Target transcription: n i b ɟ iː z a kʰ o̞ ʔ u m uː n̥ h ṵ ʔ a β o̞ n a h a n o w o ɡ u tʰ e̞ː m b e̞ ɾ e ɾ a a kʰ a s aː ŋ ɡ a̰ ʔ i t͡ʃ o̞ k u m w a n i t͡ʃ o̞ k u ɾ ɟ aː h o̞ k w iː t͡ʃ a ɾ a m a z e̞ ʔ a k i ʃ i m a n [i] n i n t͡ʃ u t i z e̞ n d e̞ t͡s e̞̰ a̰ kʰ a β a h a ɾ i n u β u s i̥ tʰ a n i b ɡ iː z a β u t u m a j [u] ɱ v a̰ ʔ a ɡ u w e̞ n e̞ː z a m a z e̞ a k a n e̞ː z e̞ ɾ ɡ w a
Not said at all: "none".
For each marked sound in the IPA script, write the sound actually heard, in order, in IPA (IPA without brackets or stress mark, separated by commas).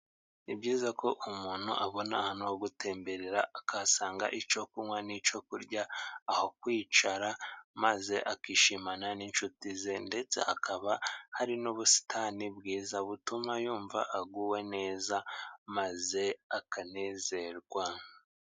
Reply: a, uː